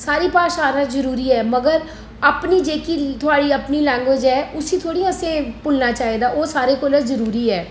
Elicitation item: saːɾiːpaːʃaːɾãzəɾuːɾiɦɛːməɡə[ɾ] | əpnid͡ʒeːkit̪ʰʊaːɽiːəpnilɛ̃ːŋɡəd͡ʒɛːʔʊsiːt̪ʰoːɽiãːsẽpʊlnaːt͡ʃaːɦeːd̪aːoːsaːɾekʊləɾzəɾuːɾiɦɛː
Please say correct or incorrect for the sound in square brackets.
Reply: correct